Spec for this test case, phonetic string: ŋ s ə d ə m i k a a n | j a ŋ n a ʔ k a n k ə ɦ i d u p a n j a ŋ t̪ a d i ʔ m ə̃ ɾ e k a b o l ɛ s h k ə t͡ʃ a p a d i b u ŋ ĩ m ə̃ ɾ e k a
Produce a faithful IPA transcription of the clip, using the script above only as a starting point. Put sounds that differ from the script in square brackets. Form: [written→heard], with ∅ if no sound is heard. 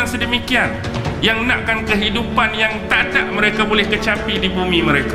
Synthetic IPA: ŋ s ə d ə m i k [a→i] a n | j a ŋ n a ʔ k a n k ə ɦ i d u p a n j a ŋ t̪ a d [i→a] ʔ m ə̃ ɾ e k a b o l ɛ [s→∅] h k ə t͡ʃ a p [a→i] d i b u [ŋ→m] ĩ m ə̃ ɾ e k a